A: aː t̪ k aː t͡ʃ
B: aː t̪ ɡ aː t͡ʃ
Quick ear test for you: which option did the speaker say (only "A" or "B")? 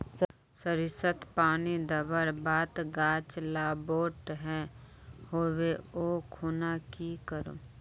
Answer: B